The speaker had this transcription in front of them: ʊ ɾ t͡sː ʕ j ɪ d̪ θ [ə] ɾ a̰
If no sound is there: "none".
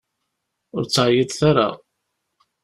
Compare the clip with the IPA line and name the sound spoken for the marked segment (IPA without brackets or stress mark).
a